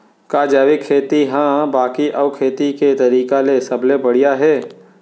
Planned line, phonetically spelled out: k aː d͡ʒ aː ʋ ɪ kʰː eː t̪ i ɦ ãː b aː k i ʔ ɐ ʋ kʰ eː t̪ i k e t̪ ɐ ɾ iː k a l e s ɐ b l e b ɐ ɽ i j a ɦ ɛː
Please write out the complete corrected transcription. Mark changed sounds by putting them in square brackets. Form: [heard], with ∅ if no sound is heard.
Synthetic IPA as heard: k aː d͡ʒ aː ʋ ɪ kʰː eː t̪ i ɦ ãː b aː k i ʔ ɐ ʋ kʰ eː t̪ i k e t̪ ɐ ɾ iː k a l e s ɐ b l e b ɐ ɽ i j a ɦ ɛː